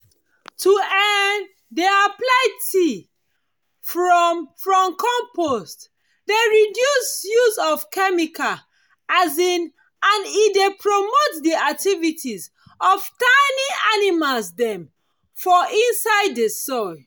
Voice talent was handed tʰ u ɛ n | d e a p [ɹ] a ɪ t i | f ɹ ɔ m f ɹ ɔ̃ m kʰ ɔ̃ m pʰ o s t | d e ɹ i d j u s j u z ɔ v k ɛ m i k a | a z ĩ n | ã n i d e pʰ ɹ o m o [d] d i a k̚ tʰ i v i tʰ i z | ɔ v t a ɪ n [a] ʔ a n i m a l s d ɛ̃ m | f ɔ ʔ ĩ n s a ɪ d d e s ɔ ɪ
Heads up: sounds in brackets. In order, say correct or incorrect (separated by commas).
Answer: incorrect, incorrect, incorrect